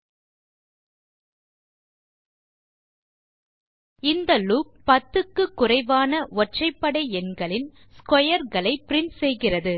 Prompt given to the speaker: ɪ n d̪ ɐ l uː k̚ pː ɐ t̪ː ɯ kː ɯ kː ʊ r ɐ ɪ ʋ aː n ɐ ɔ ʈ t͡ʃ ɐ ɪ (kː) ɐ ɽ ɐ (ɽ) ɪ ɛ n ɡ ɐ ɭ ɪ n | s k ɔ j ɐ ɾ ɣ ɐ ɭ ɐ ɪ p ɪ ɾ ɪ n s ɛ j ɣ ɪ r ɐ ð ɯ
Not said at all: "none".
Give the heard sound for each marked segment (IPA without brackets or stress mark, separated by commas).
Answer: pː, none